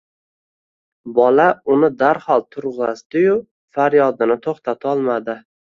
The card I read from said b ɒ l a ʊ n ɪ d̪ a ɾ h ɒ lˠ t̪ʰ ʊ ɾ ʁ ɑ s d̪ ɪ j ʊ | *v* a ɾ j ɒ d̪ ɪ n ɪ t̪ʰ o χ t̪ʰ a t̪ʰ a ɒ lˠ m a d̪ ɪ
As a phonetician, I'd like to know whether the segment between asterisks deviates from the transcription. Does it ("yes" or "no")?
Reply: yes